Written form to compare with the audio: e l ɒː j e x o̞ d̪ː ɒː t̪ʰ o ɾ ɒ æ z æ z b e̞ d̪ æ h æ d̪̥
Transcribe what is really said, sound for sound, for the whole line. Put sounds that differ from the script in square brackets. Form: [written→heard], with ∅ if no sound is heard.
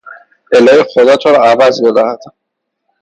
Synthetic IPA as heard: e l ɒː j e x o̞ [d̪ː→d̪] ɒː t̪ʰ o ɾ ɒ æ [z→v] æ z b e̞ d̪ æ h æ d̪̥